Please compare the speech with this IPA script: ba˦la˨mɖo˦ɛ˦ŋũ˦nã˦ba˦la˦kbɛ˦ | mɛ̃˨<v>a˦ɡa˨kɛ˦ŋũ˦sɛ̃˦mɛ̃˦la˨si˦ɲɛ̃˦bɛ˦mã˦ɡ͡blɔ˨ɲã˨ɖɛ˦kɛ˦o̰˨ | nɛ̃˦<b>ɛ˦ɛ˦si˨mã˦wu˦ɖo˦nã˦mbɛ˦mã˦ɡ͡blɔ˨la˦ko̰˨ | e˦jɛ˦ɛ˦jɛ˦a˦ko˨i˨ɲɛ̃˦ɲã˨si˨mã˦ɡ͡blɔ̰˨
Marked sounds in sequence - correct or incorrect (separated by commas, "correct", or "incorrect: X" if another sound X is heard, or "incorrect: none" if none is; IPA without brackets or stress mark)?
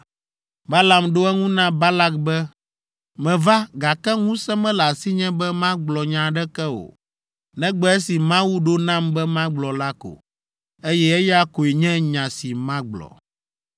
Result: correct, incorrect: ɡ͡b